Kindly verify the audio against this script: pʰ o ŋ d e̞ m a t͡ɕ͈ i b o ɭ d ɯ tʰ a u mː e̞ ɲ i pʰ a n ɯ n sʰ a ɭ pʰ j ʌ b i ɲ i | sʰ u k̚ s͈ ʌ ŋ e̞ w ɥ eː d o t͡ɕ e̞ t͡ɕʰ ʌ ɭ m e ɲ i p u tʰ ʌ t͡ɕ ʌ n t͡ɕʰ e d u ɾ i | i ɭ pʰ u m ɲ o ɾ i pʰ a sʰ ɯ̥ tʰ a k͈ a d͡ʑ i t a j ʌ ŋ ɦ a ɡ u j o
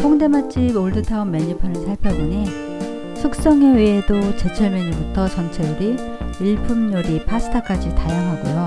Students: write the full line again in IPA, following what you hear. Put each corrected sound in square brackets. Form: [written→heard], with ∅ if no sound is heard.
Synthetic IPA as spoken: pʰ o ŋ d e̞ m a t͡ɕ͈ i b o ɭ d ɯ tʰ a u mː e̞ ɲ i pʰ a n ɯ n sʰ a ɭ pʰ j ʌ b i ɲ i | sʰ u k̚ s͈ ʌ ŋ e̞ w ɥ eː d o t͡ɕ e̞ t͡ɕʰ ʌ ɭ m e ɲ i [p→b] u tʰ ʌ t͡ɕ ʌ n t͡ɕʰ e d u ɾ i | i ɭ pʰ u m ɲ o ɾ i pʰ a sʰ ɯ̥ tʰ a k͈ a d͡ʑ i t a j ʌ ŋ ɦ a ɡ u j o